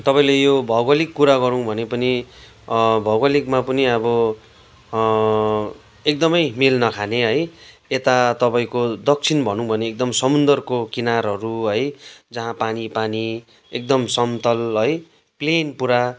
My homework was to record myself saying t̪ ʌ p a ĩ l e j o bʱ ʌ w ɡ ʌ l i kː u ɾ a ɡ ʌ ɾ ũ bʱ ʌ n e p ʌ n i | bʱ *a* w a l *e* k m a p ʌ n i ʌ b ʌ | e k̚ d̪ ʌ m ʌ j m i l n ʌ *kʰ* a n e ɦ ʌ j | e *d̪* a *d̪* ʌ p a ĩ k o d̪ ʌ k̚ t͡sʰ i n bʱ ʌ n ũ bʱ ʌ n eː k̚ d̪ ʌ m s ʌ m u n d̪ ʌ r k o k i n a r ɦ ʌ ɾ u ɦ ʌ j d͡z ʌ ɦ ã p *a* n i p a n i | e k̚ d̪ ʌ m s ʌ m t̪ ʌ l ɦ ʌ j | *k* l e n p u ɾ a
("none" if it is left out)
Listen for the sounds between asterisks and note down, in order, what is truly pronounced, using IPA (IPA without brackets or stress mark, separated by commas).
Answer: ʌ, i, kʰ, t̪, t̪, a, p